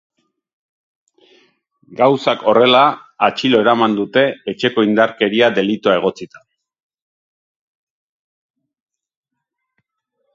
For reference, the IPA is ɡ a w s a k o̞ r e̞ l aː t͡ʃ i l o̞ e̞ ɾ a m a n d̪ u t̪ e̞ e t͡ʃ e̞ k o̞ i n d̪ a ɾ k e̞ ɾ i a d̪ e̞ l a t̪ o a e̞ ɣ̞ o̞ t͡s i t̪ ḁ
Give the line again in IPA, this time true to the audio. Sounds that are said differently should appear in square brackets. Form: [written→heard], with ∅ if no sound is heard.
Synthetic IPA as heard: ɡ a w s a k o̞ r e̞ l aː t͡ʃ i l o̞ e̞ ɾ a m a n d̪ u t̪ e̞ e t͡ʃ e̞ k o̞ i n d̪ a ɾ k e̞ ɾ i a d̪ e̞ l [a→i] t̪ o a e̞ ɣ̞ o̞ t͡s i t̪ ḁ